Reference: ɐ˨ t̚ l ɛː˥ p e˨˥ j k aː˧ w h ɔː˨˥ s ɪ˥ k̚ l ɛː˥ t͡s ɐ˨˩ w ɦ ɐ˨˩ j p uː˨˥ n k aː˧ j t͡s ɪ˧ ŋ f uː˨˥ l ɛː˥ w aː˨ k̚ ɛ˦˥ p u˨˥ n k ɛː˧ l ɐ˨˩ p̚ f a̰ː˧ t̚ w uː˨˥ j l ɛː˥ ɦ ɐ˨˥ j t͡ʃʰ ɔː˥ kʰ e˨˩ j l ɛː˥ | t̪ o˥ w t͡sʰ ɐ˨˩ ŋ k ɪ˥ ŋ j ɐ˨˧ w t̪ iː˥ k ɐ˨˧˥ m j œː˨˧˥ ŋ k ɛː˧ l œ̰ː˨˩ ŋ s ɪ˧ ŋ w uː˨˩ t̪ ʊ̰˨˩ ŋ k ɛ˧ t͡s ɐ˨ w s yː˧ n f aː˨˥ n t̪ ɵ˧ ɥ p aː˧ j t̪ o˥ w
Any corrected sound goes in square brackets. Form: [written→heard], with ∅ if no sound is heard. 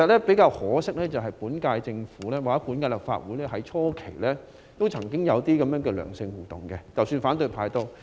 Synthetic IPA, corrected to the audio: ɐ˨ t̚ l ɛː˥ p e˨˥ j k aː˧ w h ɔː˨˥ s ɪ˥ k̚ l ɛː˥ t͡s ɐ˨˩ w ɦ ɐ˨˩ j p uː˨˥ n k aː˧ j t͡s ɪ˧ ŋ f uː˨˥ l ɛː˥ w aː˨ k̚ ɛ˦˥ p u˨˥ n k [ɛː˧→aː˧] l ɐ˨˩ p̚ f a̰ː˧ t̚ w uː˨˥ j l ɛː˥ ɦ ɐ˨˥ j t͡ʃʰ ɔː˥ kʰ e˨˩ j l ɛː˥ | t̪ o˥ w t͡sʰ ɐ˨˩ ŋ k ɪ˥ ŋ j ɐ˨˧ w t̪ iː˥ k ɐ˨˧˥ m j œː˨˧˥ ŋ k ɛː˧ l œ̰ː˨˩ ŋ s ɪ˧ ŋ w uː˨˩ t̪ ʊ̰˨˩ ŋ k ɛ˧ t͡s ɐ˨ w s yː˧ n f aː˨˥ n t̪ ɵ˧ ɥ [p→pʰ] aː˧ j t̪ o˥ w